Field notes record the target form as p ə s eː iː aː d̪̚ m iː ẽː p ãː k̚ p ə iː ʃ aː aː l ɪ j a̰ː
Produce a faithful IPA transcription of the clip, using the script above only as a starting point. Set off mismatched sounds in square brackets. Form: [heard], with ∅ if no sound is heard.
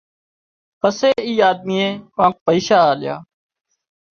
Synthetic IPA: p ə s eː iː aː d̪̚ m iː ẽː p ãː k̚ p ə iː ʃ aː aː l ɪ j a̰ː